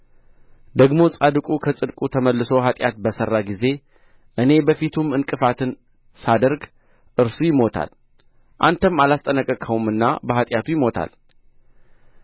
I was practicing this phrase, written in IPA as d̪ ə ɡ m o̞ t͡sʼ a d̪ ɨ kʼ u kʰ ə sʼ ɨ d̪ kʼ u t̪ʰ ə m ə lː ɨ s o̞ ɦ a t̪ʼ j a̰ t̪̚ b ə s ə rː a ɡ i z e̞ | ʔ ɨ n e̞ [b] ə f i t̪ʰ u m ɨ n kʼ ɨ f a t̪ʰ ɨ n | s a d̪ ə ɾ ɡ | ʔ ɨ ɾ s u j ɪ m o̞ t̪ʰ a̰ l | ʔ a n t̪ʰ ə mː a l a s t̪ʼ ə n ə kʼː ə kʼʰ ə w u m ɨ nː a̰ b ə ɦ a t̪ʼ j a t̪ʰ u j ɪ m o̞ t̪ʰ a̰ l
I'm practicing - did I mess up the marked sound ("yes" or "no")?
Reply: no